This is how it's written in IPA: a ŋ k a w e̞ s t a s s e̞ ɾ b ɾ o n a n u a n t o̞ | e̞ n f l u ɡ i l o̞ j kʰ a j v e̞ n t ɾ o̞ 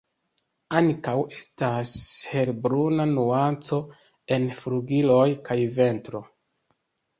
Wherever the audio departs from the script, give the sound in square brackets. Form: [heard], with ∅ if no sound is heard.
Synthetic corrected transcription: a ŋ k a w e̞ s t a s [h] e̞ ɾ b ɾ [u] n a n u a n [t͡s] o̞ | e̞ n f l u ɡ i l o̞ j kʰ a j v e̞ n t ɾ o̞